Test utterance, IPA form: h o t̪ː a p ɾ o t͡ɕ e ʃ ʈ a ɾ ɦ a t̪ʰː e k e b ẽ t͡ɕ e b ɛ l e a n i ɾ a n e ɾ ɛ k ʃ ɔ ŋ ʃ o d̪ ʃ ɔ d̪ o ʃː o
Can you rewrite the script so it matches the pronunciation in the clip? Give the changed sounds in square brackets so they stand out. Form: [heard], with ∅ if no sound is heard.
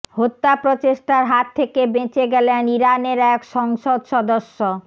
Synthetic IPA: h o t̪ː a p ɾ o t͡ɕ e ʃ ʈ a ɾ ɦ a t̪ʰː e k e b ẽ t͡ɕ e [ɡ] ɛ l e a n i ɾ a n e ɾ ɛ k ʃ ɔ ŋ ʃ o d̪ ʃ ɔ d̪ o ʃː o